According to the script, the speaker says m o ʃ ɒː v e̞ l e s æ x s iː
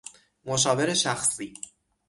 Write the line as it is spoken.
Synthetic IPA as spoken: m o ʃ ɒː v e̞ ɾ e ʃ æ x s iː